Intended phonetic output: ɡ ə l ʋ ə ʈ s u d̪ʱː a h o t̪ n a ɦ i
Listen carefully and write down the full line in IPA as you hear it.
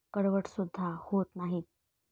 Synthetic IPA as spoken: k ə ɽ ʋ ə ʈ s u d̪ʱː a h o t̪ n a ɦ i